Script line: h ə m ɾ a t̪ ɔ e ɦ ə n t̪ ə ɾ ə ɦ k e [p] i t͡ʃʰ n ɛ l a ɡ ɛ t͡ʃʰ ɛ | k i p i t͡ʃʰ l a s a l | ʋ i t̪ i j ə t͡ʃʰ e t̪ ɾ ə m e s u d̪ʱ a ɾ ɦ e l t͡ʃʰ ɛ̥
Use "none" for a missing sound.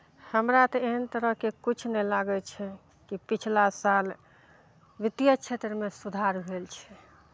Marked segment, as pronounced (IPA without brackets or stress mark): k